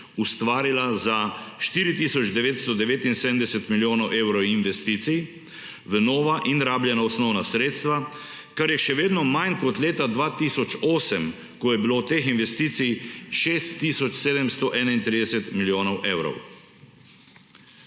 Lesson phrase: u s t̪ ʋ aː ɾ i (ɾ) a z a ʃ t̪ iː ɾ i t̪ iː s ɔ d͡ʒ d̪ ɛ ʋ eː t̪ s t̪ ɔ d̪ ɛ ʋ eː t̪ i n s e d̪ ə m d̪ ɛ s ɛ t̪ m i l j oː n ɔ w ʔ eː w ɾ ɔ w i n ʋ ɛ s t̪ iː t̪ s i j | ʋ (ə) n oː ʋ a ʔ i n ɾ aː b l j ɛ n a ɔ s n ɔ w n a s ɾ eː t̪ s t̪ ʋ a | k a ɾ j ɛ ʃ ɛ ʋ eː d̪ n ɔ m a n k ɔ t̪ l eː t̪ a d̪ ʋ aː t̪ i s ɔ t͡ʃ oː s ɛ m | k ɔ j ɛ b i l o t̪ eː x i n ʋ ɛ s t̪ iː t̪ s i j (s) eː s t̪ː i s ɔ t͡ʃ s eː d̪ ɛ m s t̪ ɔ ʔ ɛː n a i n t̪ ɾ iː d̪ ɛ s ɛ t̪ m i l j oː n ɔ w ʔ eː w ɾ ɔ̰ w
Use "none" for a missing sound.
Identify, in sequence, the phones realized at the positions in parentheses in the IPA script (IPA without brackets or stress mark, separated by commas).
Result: l, ə, ʃ